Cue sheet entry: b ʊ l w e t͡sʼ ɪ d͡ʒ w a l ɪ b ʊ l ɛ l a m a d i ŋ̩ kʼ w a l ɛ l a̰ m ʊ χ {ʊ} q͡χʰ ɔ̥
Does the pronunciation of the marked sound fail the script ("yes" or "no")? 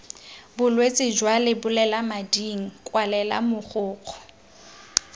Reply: yes